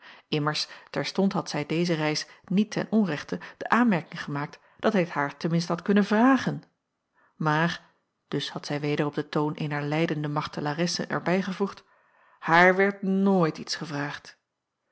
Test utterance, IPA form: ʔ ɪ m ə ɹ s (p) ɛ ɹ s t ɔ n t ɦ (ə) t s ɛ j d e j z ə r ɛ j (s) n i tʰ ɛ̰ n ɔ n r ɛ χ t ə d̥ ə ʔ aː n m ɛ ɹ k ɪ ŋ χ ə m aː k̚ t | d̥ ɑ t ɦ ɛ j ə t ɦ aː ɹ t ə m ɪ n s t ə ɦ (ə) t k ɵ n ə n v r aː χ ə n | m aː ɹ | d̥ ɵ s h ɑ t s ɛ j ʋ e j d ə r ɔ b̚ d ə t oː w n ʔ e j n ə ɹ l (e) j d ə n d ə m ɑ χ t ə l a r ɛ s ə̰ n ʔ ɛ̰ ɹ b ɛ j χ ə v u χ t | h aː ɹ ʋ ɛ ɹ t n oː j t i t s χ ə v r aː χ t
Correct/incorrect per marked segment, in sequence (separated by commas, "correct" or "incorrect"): incorrect, incorrect, correct, incorrect, incorrect